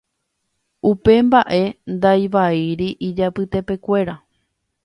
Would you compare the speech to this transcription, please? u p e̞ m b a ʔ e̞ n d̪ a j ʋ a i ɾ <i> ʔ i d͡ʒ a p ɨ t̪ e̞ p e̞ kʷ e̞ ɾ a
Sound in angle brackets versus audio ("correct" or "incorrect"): correct